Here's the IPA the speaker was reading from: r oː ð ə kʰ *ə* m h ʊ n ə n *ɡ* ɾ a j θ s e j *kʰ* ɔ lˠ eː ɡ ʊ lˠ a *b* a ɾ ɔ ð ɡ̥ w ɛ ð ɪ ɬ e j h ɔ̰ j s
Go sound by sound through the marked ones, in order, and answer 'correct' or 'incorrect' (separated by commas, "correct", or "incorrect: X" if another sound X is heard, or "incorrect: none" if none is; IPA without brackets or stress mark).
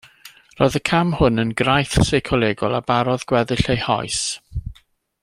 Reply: incorrect: a, correct, correct, correct